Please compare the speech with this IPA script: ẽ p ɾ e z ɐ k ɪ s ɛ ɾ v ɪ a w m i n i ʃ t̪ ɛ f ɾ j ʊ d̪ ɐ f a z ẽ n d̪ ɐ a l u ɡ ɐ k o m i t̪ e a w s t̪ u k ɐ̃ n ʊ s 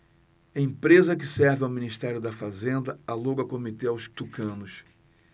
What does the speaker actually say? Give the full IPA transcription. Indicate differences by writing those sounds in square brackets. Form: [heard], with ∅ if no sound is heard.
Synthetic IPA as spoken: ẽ p ɾ e z ɐ k ɪ s ɛ ɾ v ɪ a w m i n i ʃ t̪ ɛ [∅] ɾ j ʊ d̪ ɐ f a z ẽ n d̪ ɐ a l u ɡ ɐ k o m i t̪ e a w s t̪ u k ɐ̃ n ʊ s